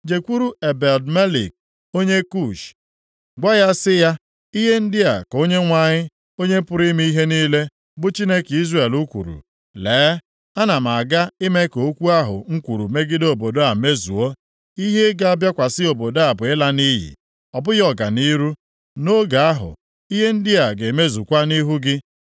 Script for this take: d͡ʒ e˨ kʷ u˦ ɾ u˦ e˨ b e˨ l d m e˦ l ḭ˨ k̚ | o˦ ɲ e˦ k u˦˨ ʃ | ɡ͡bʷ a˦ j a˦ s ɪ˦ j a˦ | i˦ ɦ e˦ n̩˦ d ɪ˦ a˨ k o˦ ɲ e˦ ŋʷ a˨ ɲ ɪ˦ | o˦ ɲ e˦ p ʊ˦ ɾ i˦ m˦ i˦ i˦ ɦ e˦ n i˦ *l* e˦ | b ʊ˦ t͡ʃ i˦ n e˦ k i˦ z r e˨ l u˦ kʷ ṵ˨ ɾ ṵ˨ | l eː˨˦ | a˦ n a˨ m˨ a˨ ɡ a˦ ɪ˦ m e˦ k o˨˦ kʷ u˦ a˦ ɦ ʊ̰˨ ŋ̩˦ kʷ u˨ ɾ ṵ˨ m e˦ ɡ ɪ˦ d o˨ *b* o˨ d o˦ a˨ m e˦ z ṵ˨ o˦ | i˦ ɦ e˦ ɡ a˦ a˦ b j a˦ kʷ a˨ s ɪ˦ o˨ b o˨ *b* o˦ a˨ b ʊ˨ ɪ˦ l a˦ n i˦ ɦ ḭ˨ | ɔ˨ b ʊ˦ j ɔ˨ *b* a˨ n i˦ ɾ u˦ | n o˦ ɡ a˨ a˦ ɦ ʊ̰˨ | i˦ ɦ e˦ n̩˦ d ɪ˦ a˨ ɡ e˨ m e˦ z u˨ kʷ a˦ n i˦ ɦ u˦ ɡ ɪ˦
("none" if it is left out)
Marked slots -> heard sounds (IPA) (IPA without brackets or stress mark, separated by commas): l, b, d, ɡ